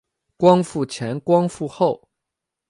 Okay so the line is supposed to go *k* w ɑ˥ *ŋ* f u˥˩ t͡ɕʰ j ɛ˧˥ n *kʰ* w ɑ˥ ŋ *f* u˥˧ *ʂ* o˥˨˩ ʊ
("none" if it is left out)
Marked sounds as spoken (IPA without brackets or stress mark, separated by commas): k, ŋ, k, f, x